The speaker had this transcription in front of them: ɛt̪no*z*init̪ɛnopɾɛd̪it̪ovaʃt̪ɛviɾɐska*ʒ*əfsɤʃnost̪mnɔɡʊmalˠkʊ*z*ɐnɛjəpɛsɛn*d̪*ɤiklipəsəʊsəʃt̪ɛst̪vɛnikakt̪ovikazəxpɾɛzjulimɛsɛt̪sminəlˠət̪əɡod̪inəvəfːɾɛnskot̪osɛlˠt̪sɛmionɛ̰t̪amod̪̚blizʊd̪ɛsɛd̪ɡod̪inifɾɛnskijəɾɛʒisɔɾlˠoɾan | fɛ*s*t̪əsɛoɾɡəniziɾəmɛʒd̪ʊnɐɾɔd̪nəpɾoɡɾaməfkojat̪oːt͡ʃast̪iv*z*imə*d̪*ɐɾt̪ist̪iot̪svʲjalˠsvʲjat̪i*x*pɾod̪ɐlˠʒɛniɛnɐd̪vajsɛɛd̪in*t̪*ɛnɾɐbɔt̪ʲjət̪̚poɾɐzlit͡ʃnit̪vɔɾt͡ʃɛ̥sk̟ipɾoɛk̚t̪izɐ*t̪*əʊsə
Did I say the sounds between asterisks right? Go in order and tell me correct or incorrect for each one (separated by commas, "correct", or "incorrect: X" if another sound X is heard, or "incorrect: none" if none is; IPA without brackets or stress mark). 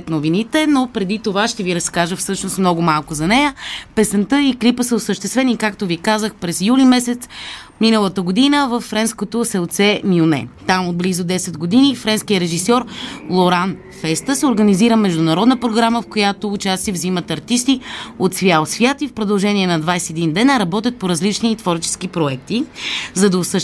incorrect: v, correct, correct, incorrect: t̪, correct, correct, incorrect: t̪, incorrect: f, incorrect: d̪, incorrect: d̪